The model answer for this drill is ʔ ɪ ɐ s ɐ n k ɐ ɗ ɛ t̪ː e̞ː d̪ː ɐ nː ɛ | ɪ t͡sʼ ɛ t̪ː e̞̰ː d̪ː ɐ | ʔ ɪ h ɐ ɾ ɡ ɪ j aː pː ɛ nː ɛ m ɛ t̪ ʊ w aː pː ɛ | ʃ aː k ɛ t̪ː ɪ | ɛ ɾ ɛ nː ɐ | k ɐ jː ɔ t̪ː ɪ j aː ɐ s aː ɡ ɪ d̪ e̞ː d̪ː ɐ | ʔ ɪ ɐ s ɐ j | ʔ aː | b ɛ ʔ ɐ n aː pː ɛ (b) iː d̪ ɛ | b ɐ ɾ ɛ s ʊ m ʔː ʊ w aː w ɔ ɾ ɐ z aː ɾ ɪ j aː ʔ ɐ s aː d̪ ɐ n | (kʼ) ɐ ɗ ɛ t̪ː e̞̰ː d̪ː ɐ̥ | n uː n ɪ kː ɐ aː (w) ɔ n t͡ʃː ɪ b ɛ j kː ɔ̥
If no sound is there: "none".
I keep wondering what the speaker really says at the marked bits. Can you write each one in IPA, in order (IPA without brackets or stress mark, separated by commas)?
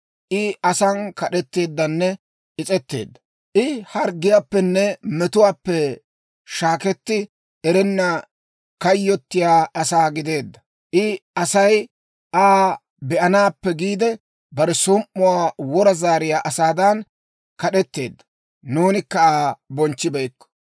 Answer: ɡ, k, b